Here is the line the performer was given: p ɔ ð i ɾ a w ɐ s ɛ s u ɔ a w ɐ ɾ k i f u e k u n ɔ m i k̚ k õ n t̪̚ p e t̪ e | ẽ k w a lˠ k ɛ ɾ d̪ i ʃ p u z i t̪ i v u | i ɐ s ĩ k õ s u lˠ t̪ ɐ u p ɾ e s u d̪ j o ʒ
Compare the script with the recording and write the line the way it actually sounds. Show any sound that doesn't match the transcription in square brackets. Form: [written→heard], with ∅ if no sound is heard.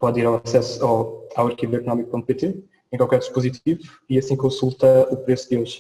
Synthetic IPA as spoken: p ɔ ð i ɾ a w ɐ s ɛ s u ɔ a w ɐ ɾ k i [f→v] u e k u n ɔ m i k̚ [k→p] õ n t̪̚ p e t̪ e | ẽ k w a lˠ k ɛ ɾ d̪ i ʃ p u z i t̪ i v u | i ɐ s ĩ k õ s u lˠ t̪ ɐ u p ɾ e s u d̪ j o ʒ